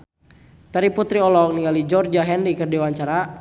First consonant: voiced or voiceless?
voiceless